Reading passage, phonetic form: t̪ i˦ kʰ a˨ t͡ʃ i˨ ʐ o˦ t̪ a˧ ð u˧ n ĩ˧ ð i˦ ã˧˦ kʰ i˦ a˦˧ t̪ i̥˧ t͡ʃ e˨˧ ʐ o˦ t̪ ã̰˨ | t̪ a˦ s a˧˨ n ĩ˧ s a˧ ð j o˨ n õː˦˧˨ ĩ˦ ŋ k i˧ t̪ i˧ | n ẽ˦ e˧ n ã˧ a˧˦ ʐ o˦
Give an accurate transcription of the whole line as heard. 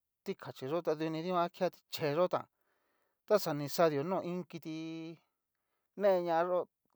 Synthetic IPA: t̪ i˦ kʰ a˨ t͡ʃ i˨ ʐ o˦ t̪ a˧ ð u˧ n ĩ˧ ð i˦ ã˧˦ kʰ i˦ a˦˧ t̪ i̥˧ t͡ʃ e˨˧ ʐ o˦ t̪ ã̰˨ | t̪ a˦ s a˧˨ n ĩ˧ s a˧ ð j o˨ n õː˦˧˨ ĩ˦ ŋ k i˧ t̪ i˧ | n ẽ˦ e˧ ɲ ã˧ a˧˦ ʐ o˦